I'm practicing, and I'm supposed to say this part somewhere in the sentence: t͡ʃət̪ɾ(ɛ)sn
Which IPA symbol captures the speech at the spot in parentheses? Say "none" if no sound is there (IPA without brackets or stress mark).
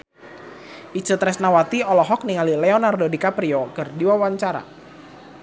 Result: ɛ